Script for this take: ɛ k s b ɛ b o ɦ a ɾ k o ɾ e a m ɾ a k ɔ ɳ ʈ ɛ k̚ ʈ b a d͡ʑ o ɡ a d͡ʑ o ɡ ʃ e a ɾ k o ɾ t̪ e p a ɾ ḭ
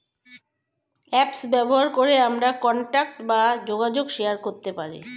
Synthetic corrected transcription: ɛ p s b ɛ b o ɦ a ɾ k o ɾ e a m ɾ a k ɔ ɳ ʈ a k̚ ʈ b a d͡ʑ o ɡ a d͡ʑ o ɡ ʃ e a ɾ k o ɾ t̪ e p a ɾ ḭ